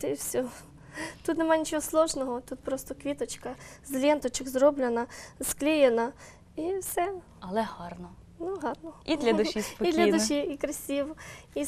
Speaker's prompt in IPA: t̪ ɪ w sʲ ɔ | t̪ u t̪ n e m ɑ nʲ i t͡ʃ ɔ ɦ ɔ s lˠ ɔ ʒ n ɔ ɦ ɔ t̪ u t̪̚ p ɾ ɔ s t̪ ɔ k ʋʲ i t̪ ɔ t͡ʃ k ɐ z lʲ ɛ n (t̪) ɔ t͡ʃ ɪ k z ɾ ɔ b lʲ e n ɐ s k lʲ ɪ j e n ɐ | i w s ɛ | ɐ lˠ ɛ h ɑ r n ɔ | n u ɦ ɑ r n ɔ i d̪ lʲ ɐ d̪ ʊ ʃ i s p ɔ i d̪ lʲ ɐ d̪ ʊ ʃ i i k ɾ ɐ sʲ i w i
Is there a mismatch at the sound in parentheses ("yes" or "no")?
no